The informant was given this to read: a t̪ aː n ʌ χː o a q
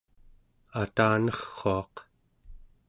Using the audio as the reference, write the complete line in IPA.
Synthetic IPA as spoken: a t̪ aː n ʌ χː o ɑ q